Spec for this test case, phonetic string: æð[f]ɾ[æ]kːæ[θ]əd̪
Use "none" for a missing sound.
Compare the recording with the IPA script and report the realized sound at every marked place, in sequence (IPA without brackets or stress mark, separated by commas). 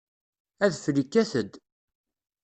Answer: f, i, θ